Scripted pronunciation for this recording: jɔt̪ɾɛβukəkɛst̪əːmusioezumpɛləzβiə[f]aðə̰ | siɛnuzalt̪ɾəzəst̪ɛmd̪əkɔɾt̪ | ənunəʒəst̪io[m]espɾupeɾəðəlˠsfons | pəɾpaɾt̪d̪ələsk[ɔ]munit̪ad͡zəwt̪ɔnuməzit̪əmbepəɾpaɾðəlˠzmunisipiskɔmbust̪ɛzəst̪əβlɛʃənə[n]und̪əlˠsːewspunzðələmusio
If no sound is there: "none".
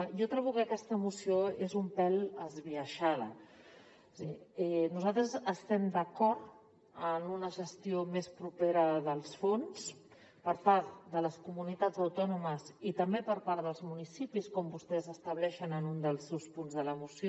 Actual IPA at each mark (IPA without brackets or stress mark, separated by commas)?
ʃ, m, u, n